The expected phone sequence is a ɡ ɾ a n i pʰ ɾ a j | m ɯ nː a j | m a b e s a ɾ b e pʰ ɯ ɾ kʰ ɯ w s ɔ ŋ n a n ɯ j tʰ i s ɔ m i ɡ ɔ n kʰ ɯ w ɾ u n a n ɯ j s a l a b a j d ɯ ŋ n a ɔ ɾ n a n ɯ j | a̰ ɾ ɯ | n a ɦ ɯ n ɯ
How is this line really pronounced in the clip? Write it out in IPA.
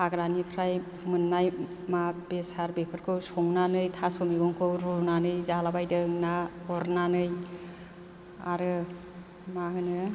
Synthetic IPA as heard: a ɡ ɾ a n i pʰ ɾ a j | m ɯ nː a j | m a b e s a ɾ b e pʰ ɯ ɾ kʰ ɯ w s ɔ ŋ n a n ɯ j tʰ a s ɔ m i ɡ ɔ ŋ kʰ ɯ w ɾ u n a n ɯ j z a l a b a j d ɯ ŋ n a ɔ ɾ n a n ɯ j | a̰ ɾ ɯ | m a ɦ ɯ n ɯ